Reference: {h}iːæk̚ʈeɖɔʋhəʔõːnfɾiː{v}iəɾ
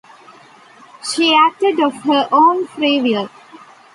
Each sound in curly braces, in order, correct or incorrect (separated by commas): incorrect, incorrect